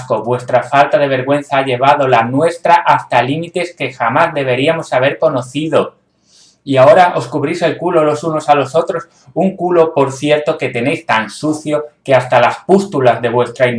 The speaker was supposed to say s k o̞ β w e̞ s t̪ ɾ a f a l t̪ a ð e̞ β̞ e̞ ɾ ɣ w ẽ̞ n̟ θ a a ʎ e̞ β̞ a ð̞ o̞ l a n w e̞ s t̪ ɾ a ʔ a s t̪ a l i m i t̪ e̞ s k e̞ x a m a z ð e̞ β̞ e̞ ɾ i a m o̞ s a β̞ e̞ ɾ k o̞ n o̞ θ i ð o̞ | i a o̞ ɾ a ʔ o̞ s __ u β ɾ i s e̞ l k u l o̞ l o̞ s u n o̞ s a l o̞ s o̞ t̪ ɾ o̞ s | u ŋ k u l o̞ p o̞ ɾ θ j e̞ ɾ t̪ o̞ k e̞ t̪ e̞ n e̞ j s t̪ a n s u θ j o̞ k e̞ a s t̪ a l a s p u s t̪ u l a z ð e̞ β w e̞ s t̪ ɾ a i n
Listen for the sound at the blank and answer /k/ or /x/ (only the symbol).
k